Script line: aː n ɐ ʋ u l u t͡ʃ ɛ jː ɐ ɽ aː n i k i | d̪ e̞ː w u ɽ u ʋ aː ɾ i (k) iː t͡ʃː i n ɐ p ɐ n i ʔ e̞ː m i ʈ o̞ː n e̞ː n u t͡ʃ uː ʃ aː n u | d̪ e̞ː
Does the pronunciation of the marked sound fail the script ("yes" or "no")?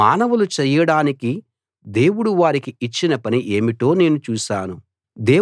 no